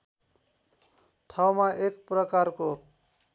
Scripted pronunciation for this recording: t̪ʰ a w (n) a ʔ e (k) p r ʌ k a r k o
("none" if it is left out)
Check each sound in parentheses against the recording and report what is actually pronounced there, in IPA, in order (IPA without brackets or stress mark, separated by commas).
m, k